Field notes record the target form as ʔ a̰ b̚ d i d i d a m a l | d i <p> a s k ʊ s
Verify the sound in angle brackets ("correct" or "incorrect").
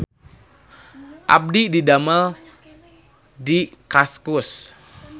incorrect